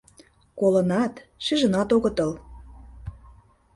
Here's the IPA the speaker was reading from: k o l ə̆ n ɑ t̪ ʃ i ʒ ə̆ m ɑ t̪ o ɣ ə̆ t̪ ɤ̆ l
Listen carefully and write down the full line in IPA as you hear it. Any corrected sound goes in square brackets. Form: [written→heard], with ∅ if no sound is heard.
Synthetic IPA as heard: k o l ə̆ n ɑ t̪ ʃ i ʒ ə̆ [m→n] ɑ t̪ o ɣ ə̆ t̪ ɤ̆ l